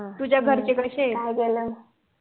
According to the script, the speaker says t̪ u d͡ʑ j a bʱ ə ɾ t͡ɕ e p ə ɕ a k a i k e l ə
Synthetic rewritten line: t̪ u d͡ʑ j a ɡʱ ə ɾ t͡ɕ e k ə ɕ e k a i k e l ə